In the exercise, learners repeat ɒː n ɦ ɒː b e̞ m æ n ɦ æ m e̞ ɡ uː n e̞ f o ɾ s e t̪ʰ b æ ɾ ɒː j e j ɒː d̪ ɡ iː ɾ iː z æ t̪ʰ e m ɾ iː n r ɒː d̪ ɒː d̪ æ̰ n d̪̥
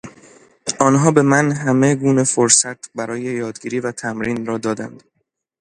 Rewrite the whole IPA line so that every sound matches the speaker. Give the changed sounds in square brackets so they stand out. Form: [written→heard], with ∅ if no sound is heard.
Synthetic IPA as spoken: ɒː n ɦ ɒː b e̞ m æ n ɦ æ m e̞ ɡ uː n e̞ f o ɾ s [e→æ] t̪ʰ b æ ɾ ɒː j e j ɒː d̪ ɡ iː ɾ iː [z→v] æ t̪ʰ [e→æ] m ɾ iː n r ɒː d̪ ɒː d̪ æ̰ n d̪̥